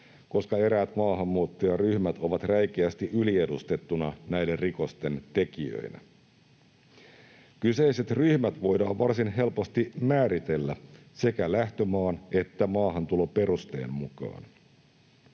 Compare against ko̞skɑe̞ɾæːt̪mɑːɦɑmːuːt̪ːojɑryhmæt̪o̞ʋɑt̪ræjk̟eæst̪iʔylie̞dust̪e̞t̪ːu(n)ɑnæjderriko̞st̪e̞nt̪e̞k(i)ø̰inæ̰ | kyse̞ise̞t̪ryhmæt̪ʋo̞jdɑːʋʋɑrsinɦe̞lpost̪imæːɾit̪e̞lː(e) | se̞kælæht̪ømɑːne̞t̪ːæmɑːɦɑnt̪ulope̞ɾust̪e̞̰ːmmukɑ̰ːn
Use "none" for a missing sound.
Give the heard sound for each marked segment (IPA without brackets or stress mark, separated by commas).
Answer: n, i, æ